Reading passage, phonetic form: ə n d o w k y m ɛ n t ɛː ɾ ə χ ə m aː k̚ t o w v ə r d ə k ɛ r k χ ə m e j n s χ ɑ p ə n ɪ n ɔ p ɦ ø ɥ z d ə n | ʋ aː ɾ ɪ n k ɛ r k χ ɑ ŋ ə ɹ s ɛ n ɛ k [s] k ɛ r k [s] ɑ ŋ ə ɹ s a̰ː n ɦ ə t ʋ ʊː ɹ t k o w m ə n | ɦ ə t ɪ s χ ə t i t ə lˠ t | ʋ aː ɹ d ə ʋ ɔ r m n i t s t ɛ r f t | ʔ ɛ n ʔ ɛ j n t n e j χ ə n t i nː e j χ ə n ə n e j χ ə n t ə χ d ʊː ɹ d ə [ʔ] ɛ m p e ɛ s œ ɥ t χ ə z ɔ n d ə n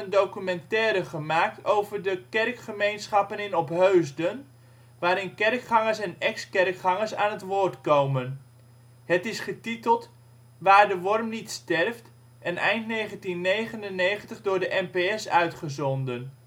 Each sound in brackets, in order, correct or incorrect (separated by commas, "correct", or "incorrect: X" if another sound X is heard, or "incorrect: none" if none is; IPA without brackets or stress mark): correct, incorrect: χ, correct